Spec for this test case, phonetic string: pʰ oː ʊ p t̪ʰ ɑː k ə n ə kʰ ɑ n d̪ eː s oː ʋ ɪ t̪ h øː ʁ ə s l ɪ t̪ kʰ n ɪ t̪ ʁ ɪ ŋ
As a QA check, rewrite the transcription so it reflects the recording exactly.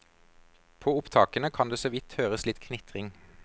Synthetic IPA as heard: pʰ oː ʊ p t̪ʰ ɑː k ə n ə kʰ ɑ n d̪ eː s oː ʋ ɪ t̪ h øː ʁ ə s l ɪ t̪ kʰ n ɪ t̪ ʁ ɪ ŋ